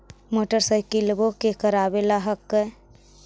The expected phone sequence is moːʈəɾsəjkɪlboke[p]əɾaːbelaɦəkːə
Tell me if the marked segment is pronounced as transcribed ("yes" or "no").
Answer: no